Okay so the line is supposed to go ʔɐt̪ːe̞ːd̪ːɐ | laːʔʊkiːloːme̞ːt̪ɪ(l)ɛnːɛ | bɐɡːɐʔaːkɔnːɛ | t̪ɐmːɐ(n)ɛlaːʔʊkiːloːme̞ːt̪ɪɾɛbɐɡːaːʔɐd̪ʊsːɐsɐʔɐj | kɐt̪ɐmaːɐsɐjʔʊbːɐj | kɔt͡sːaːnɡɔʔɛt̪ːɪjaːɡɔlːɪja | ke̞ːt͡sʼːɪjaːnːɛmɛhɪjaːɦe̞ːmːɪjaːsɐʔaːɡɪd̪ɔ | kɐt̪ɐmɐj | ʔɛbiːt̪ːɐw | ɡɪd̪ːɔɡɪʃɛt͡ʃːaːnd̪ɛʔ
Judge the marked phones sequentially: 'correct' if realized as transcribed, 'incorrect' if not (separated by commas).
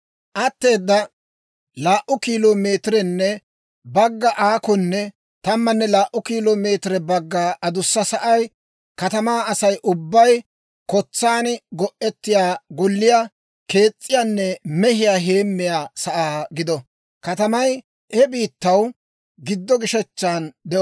incorrect, incorrect